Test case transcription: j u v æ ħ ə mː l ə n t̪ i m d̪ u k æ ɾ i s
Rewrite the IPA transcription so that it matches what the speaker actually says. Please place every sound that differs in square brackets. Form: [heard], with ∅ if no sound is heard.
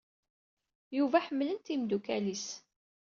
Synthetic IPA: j u v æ ħ ə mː l ə n t̪ i m d̪ u k æ [l] i s